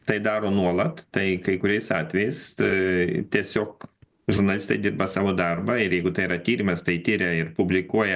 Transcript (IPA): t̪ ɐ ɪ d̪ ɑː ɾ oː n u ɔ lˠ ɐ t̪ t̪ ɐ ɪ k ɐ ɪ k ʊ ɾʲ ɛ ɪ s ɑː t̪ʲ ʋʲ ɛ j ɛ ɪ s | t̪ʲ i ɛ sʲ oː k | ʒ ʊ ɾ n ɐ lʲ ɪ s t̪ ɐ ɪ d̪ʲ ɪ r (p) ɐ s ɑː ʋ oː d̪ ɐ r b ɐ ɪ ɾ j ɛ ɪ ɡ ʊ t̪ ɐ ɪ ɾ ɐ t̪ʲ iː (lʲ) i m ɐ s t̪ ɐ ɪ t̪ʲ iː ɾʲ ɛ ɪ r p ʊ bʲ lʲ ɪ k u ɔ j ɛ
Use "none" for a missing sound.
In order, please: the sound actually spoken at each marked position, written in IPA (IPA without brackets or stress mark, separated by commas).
b, ɾʲ